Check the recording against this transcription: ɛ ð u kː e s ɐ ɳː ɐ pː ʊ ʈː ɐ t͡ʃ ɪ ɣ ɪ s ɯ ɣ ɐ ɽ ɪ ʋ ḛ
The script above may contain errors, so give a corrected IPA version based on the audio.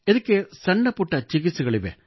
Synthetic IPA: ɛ ð ɯ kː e s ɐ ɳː ɐ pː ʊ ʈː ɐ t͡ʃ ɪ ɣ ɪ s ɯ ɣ ɐ ɭ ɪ ʋ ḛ